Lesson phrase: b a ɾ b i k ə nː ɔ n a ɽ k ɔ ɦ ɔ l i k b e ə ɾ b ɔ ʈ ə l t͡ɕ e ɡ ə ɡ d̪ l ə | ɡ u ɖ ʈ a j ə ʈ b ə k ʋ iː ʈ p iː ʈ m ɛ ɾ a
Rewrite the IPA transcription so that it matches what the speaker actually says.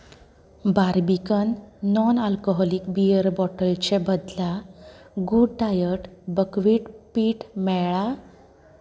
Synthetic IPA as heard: b a ɾ b i k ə nː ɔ n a l k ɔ ɦ ɔ l i k b i ə ɾ b ɔ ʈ ə l t͡ɕ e b ə d̪ l a | ɡ u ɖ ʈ a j ə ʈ b ə k ʋ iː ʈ p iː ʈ m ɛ ɭ a